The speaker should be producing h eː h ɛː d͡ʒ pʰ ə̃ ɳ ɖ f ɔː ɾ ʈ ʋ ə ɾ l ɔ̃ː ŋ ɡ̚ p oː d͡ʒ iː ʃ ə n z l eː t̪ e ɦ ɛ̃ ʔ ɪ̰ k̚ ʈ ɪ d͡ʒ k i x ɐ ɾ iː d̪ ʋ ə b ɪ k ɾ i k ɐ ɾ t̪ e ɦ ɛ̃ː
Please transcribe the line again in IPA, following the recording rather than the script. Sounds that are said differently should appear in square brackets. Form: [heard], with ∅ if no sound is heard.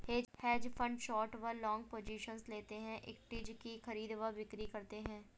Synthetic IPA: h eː h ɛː d͡ʒ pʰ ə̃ ɳ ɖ [ʃ] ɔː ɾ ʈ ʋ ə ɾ l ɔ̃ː ŋ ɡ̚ p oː d͡ʒ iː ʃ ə n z l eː t̪ e ɦ ɛ̃ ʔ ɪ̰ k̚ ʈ ɪ d͡ʒ k i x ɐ ɾ iː d̪ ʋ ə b ɪ k ɾ i k ɐ ɾ t̪ e ɦ ɛ̃ː